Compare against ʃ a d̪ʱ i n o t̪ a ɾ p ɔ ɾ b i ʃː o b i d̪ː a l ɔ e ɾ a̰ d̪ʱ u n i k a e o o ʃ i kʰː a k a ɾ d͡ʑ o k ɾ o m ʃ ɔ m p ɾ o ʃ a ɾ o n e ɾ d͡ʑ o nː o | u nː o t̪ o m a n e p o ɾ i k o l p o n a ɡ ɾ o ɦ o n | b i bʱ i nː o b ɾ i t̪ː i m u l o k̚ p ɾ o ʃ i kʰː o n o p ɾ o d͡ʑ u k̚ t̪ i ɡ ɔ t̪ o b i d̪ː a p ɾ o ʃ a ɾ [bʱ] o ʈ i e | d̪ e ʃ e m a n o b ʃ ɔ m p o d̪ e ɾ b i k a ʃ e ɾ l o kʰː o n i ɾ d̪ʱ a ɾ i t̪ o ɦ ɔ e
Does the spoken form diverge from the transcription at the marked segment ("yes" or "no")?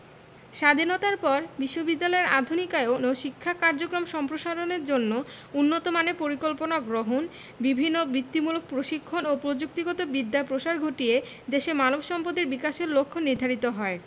yes